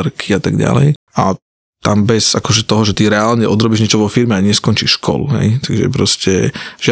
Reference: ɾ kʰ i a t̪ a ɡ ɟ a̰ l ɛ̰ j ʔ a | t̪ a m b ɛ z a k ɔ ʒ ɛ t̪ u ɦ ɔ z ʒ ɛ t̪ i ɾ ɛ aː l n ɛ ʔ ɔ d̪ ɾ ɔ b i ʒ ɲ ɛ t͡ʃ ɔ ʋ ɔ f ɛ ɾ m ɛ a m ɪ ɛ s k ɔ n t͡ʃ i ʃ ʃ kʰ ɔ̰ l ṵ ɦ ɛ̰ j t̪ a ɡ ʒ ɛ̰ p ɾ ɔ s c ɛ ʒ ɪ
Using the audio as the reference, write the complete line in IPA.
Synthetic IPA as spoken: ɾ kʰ i a t̪ a ɡ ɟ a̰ l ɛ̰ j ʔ a | t̪ a m b ɛ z a k ɔ ʒ ɛ t̪ ɔ ɦ ɔ ʒ ɛ t̪ i ɾ ɛ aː l ɲ ɛ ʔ ɔ d̪ ɾ ɔ b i ʒ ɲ ɛ t͡ʃ ɔ ʋ ɔ f i ɾ m ɛ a ɲ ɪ ɛ s k ɔ n t͡ʃ i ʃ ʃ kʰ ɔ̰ l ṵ ɦ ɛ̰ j t̪ a ɡ ʒ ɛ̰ p ɾ ɔ s c ɛ ʒ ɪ